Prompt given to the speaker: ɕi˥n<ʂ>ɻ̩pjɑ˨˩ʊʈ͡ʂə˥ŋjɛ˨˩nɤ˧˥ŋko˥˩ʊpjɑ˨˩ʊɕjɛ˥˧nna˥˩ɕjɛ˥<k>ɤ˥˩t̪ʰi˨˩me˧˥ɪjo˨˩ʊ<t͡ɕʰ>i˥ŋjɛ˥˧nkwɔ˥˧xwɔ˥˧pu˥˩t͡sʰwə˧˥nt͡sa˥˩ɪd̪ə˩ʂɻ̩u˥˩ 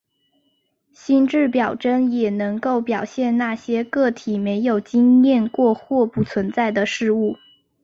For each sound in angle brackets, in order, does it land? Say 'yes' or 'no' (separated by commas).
no, yes, no